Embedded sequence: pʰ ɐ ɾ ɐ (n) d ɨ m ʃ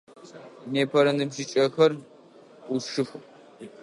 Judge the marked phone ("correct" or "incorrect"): correct